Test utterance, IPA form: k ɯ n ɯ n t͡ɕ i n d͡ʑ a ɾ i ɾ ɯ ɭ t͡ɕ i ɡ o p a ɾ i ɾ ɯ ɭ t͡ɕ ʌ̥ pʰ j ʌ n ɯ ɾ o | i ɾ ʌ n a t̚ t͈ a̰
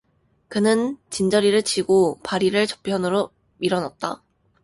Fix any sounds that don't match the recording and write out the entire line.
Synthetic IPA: k ɯ n ɯ n t͡ɕ i n d͡ʑ ʌ ɾ i ɾ ɯ ɭ t͡ɕ i ɡ o p a ɾ i ɾ ɯ ɭ t͡ɕ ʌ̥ pʰ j ʌ n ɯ ɾ o | i ɾ ʌ n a t̚ t͈ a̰

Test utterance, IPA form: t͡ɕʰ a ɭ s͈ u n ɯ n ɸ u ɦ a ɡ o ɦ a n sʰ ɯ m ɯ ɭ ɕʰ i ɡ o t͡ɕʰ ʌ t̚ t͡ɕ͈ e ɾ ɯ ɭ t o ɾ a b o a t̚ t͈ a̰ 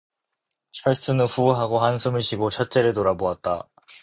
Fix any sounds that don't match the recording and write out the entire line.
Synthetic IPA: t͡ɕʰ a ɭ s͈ ɯ n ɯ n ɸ u ɦ a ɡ o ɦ a n sʰ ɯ m ɯ ɭ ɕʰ i ɡ o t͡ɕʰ ʌ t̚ t͡ɕ͈ e ɾ ɯ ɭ t o ɾ a b o a t̚ t͈ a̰

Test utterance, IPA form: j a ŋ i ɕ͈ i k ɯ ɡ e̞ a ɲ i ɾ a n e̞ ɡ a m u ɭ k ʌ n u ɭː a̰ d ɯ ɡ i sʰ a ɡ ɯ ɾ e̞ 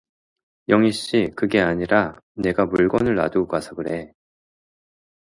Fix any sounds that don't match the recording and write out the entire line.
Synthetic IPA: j ʌ ŋ i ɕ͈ i k ɯ ɡ e̞ a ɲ i ɾ a n e̞ ɡ a m u ɭ ɡ ʌ n ɯ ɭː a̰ d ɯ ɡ a sʰ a ɡ ɯ ɾ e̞

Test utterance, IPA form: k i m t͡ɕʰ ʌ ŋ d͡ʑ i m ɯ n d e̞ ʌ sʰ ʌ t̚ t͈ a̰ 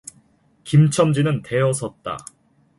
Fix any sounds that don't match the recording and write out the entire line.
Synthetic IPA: k i m t͡ɕʰ ʌ m d͡ʑ i n ɯ n t e̞ ʌ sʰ ʌ t̚ t͈ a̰

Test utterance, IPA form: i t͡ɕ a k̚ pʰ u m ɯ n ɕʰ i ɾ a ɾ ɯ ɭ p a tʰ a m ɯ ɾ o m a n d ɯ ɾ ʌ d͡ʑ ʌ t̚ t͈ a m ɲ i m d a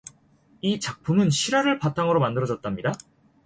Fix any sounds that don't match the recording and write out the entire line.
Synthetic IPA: i t͡ɕ a k̚ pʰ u m ɯ n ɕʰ i ɾ a ɾ ɯ ɭ p a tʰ a ŋ ɯ ɾ o m a n d ɯ ɾ ʌ d͡ʑ ʌ t̚ t͈ a m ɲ i d a

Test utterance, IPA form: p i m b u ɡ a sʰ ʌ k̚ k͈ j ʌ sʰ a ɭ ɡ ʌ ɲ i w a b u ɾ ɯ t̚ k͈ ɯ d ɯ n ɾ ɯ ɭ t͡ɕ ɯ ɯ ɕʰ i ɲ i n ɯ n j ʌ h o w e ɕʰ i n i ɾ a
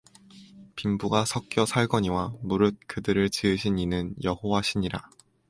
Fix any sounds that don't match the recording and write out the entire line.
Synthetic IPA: p i m b u ɡ a sʰ ʌ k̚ k͈ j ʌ sʰ a ɭ ɡ ʌ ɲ i w a m u ɾ ɯ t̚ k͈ ɯ d ɯ ɾ ɯ ɭ t͡ɕ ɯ ɯ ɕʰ i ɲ i n ɯ n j ʌ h o w a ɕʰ i ɲ i ɾ a

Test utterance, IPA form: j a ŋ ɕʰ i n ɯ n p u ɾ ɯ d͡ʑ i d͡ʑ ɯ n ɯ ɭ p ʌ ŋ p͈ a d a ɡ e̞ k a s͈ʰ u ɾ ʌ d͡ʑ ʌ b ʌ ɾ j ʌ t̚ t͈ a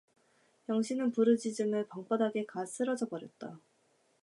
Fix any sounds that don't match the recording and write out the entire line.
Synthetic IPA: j ʌ ŋ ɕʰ i n ɯ n p u ɾ ɯ d͡ʑ i d͡ʑ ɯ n ɯ ɭ p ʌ ŋ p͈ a d a ɡ e̞ k a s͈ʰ ɯ ɾ ʌ d͡ʑ ʌ b ʌ ɾ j ʌ t̚ t͈ a

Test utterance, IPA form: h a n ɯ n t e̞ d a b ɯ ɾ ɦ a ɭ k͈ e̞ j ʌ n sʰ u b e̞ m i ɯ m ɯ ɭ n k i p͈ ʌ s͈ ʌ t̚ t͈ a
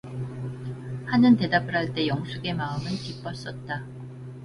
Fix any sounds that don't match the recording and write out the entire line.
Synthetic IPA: h a n ɯ n t e̞ d a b ɯ ɾ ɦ a ɭ t͈ e̞ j ʌ ŋ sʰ u ɡ e̞ m a ɯ m ɯ n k i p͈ ʌ s͈ ʌ t̚ t͈ a

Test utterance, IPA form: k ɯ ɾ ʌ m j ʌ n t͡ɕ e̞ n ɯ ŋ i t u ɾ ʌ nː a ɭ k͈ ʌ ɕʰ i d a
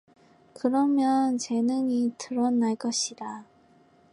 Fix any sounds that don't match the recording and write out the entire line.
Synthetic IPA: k ɯ ɾ ʌ m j ʌ n t͡ɕ e̞ n ɯ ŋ i t ɯ ɾ ʌ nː a ɭ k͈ ʌ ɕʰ i d a

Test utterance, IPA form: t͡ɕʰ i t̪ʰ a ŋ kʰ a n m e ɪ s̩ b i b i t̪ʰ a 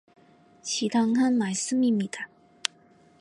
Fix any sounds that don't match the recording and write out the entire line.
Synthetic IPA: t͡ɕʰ i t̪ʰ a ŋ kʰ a n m a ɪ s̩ m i m i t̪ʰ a

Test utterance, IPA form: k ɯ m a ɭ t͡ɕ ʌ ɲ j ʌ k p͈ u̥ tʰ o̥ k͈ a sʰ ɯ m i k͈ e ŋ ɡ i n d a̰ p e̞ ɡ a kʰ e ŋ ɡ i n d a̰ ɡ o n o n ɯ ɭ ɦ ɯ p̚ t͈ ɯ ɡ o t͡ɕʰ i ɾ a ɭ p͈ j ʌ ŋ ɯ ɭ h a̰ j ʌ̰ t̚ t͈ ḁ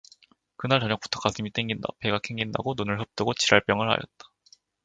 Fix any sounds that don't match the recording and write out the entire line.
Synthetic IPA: k ɯ n a ɭ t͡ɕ ʌ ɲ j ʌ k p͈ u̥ tʰ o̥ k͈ a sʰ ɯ m i t͈ e ŋ ɡ i n d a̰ p e̞ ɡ a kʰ e ŋ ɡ i n d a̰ ɡ o n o n ɯ ɭ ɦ ɯ p̚ t͈ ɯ ɡ o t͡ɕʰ i ɾ a ɭ p͈ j ʌ ŋ ɯ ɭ h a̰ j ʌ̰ t̚ t͈ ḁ

